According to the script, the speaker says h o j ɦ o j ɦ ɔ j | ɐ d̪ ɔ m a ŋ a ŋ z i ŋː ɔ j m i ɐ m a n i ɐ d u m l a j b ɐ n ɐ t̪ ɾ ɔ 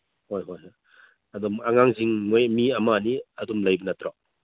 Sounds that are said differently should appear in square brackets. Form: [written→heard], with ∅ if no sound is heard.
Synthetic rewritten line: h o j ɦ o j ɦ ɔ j | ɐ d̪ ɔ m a ŋ a ŋ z i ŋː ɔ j m i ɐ m a n i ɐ d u m l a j b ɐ n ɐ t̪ ɾ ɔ